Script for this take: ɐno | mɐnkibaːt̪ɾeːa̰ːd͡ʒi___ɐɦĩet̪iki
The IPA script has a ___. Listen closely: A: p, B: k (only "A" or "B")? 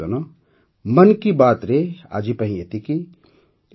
A